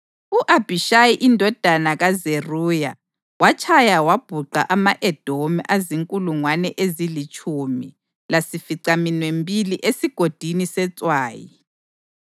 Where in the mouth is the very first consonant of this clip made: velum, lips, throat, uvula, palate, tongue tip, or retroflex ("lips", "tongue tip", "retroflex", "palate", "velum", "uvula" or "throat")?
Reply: throat